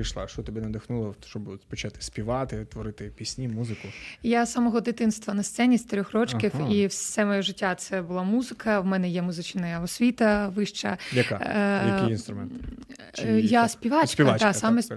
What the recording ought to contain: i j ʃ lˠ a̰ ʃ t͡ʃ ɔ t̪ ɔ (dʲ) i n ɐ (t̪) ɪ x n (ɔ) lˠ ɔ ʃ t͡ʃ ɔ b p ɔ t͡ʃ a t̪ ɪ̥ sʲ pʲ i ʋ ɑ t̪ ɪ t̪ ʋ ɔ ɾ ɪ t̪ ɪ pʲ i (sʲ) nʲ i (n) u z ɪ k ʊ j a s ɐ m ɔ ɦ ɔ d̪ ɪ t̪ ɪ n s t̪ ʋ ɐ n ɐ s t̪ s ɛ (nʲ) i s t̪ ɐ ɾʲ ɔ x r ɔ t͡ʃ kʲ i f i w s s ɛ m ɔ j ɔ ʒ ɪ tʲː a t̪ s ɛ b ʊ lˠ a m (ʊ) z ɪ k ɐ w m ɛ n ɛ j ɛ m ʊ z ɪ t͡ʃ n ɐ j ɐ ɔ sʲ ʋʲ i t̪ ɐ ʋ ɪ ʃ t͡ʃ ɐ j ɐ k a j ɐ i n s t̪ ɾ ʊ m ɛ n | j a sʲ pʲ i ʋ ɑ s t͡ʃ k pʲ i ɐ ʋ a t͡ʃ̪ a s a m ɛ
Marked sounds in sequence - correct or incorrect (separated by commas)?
incorrect, incorrect, incorrect, correct, incorrect, correct, incorrect